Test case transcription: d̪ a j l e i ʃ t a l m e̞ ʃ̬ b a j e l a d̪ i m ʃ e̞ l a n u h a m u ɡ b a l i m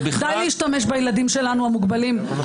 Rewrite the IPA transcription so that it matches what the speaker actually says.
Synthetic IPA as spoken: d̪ a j l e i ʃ t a m e̞ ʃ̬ b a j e l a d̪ i m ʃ e̞ l a n u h a m u ɡ b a l i m